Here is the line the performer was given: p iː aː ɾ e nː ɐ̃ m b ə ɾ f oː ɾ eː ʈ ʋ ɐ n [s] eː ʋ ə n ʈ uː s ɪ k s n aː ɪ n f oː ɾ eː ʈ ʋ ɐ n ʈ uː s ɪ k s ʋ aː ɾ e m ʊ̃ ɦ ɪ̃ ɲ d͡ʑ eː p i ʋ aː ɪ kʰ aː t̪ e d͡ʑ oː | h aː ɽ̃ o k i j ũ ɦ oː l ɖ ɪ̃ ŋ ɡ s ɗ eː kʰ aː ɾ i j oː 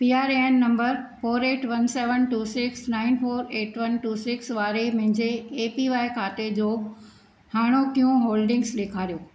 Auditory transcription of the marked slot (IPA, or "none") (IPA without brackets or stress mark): s